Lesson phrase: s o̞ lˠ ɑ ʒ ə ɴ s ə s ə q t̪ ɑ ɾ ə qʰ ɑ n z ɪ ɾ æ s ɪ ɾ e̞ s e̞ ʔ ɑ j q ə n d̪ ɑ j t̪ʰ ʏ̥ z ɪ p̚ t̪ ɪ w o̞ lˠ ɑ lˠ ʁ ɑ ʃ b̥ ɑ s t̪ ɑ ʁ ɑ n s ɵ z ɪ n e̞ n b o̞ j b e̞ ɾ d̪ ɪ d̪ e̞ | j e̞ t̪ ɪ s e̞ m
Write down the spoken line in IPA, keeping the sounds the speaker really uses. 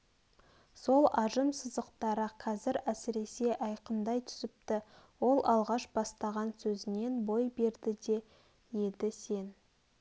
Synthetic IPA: s o̞ lˠ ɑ ʒ ə m s ə z ə q t̪ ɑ ɾ ə qʰ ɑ z ɪ ɾ æ s ɪ ɾ e̞ s e̞ ʔ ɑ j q ə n d̪ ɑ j t̪ʰ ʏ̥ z ɪ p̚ t̪ ɪ w o̞ lˠ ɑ lˠ ʁ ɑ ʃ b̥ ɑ s t̪ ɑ ʁ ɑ n s ɵ z ɪ n e̞ n b o̞ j b e̞ ɾ d̪ ɪ d̪ e̞ | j e̞ d̪ ɪ s e̞ n